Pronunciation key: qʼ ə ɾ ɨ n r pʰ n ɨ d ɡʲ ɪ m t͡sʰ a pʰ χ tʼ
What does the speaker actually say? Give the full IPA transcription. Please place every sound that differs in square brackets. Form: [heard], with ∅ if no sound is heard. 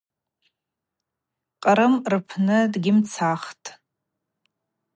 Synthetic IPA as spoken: qʼ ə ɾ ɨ [m] r pʰ n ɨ d ɡʲ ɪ m t͡sʰ a [∅] χ tʼ